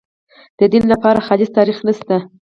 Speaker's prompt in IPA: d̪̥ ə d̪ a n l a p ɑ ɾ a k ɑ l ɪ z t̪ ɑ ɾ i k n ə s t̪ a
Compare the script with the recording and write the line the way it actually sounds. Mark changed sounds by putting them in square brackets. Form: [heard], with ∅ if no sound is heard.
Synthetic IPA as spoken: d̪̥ ə d̪ [i] n l a p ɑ ɾ a [x] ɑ l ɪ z t̪ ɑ ɾ i [x] n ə s t̪ a